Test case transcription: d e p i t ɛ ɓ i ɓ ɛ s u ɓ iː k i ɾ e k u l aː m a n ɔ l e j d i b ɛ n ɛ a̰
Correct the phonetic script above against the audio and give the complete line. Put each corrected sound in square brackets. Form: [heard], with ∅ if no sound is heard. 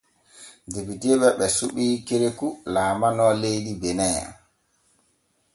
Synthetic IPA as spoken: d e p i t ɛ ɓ [ɛ] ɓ ɛ s u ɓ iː k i ɾ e k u l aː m a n ɔ l e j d i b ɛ n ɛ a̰